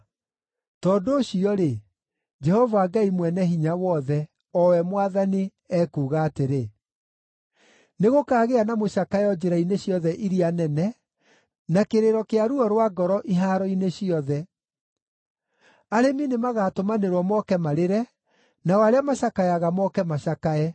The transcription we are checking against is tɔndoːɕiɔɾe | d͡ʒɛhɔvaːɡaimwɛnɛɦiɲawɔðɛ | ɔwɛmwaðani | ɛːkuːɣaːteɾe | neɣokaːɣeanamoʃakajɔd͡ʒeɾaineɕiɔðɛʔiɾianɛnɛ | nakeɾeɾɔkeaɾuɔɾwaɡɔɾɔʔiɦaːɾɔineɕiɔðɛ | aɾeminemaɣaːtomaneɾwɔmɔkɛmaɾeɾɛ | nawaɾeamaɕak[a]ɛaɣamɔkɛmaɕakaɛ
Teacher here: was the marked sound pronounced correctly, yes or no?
yes